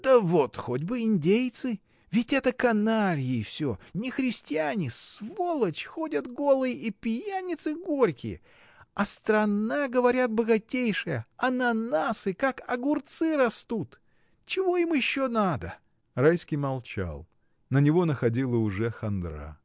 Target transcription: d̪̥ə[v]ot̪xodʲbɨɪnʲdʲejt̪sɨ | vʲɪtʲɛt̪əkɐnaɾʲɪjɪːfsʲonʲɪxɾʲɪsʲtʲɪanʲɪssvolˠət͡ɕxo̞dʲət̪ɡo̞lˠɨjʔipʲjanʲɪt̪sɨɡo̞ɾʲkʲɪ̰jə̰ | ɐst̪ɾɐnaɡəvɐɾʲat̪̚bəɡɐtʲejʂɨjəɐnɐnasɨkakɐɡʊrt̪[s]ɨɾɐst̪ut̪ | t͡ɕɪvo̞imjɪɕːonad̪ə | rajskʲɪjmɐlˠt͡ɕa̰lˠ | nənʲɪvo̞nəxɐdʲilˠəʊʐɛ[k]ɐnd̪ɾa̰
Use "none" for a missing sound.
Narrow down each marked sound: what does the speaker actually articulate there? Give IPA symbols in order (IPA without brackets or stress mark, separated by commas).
v, s, x